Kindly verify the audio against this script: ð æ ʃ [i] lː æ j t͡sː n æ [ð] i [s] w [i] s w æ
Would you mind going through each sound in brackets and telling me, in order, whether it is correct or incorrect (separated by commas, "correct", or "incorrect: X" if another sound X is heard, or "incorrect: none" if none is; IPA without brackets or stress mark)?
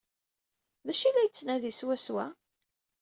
correct, correct, correct, incorrect: æ